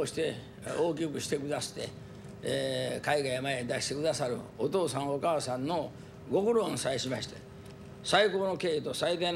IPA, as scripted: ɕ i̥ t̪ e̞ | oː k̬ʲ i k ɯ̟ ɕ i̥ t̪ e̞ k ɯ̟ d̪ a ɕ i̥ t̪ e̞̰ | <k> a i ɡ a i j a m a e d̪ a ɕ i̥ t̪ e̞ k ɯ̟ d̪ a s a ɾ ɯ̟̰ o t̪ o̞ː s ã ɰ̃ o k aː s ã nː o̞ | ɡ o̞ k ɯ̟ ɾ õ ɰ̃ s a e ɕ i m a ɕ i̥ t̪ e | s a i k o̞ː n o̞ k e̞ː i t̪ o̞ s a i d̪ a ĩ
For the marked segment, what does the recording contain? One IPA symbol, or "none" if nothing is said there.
k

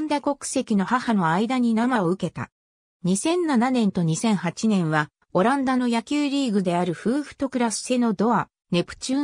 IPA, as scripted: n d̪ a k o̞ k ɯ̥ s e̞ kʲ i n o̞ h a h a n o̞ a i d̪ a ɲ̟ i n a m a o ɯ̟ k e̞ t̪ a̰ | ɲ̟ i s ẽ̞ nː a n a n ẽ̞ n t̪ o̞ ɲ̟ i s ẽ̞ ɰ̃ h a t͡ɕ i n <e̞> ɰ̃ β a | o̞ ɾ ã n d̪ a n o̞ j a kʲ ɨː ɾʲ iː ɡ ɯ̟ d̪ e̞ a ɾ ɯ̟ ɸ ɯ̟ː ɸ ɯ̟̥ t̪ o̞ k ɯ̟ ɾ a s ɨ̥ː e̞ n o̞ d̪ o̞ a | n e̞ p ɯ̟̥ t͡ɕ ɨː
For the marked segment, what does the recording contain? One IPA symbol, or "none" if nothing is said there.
ẽ̞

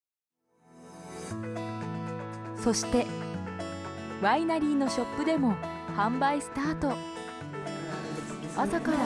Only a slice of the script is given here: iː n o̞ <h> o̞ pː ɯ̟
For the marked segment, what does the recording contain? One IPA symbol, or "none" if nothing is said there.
ɕ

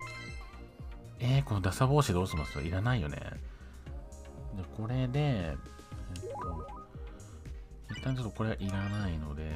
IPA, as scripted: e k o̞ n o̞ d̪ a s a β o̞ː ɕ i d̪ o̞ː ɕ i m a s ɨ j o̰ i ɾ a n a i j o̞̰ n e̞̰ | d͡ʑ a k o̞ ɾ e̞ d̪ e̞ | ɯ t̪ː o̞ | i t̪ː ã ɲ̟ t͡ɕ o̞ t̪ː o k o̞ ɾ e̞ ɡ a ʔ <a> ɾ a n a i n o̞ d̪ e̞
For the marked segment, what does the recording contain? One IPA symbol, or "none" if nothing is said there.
i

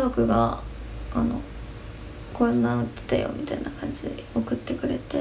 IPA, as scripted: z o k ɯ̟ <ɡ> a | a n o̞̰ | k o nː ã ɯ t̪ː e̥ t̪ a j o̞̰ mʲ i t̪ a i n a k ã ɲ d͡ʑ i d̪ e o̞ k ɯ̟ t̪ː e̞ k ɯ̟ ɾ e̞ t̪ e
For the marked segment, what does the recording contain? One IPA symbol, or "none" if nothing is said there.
ɡ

